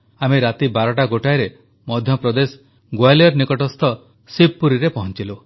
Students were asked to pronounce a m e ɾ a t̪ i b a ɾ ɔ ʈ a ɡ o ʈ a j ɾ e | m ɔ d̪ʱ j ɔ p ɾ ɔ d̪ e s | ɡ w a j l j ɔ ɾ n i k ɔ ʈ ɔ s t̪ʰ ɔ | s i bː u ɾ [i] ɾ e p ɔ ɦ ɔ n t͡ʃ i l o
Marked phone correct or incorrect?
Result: correct